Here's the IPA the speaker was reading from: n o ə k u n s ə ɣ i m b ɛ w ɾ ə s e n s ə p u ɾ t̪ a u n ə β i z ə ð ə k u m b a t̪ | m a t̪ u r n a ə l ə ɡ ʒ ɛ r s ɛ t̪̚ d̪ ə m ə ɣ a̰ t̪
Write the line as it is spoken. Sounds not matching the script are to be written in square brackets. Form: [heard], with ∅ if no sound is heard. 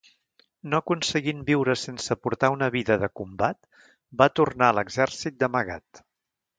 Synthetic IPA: n o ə k u n s ə ɣ i m b [i] w ɾ ə s e n s ə p u ɾ t̪ a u n ə β i [ð] ə ð ə k u m b a t̪ | [b] a t̪ u r n a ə l ə ɡ [z] ɛ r s [i] t̪̚ d̪ ə m ə ɣ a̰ t̪

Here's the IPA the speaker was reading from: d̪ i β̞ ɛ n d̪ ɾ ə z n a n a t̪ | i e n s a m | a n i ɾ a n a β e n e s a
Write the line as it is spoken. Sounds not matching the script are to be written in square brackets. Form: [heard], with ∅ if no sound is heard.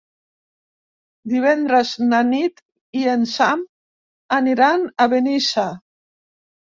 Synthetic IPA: d̪ i β̞ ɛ n d̪ ɾ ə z n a n [i] t̪ | i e n s a m | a n i ɾ a n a β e n [i] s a

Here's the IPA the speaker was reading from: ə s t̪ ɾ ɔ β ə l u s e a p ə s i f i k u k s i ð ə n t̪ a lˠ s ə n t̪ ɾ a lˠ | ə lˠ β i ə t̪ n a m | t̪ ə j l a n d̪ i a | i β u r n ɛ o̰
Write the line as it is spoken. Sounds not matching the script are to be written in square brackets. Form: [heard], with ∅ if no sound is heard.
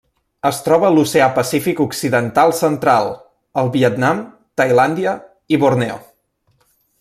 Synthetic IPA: ə s t̪ ɾ ɔ β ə l u s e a p ə s i f i k u k s i ð ə n t̪ a lˠ s ə n t̪ ɾ a lˠ | ə lˠ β i ə t̪ n a m | t̪ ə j l a n d̪ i [ə] | i β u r n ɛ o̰

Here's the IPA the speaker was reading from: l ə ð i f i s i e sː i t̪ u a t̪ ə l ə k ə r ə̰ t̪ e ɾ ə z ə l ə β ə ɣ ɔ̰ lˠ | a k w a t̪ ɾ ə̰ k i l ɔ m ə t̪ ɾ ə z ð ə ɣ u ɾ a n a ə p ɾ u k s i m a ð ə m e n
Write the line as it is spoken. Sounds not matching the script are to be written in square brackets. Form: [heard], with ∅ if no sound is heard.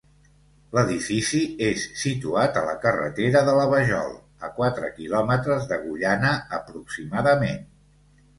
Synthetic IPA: l ə ð i f i s i e sː i t̪ u a t̪ ə l ə k ə r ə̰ t̪ e ɾ ə [ð] ə l ə β ə [ʒ] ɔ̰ lˠ | [ə] k w a t̪ ɾ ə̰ k i l ɔ m ə t̪ ɾ ə z ð ə ɣ u [ʎ] a n [ə] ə p ɾ u k s i m a ð ə m e n

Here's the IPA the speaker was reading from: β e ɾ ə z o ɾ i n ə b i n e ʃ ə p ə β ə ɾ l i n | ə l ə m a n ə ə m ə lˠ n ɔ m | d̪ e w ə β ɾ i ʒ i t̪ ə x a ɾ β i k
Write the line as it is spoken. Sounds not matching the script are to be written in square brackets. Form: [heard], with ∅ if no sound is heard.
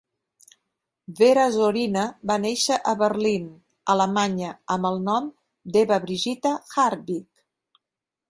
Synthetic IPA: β e ɾ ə z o ɾ i n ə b [a] n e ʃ ə [ʔ] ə β ə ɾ l i n | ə l ə m a [ɲ] ə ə m ə lˠ n ɔ m | d̪ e [β] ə β ɾ i ʒ i t̪ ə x a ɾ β i k

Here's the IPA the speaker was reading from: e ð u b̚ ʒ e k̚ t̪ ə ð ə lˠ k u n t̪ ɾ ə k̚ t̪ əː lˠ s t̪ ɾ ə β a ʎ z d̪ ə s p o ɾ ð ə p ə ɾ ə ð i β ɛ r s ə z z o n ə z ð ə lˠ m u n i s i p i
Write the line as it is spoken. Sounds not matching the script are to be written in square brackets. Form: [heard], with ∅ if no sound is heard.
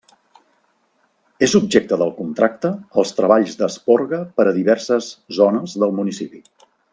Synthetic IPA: e [z] u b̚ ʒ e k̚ t̪ ə ð ə lˠ k u n t̪ ɾ [a] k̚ t̪ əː lˠ s t̪ ɾ ə β a ʎ z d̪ ə s p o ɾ [ɣ] ə p ə ɾ ə ð i β ɛ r s ə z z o n ə z ð ə lˠ m u n i s i p i

